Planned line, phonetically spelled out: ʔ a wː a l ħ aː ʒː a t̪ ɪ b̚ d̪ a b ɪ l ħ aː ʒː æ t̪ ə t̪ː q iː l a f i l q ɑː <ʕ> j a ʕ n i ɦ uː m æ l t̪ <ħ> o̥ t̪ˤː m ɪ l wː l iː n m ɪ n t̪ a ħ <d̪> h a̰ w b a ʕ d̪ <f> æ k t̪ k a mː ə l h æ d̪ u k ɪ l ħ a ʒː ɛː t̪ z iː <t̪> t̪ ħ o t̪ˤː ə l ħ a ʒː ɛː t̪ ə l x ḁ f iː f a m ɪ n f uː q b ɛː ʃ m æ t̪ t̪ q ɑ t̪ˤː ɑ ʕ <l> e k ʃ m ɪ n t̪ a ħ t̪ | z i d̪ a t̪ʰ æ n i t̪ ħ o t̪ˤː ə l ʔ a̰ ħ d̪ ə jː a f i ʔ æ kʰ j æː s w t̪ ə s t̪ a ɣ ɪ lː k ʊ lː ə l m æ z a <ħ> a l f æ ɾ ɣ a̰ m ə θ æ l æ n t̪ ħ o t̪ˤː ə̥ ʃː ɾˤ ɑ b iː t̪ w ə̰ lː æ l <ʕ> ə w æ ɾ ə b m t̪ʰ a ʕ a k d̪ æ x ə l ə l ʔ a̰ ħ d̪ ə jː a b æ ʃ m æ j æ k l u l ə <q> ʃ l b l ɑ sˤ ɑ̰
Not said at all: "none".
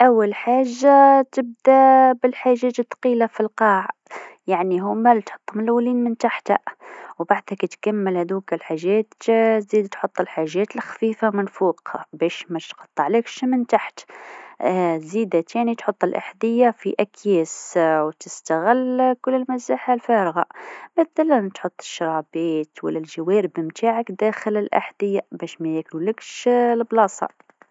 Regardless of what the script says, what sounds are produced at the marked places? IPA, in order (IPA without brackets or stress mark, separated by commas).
ʕ, ħ, t̪, h, d̪, l, ħ, ʒ, k